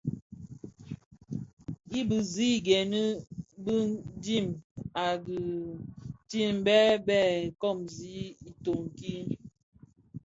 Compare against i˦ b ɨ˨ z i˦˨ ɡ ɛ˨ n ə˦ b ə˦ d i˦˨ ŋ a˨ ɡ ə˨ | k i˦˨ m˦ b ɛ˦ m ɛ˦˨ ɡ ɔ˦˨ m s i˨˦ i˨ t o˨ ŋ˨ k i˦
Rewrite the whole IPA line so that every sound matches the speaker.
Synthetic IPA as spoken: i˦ b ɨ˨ z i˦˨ ɡ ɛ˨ n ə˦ b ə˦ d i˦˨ m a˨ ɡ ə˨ | t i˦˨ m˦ b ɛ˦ b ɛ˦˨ k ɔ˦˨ m z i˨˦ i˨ t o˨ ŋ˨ k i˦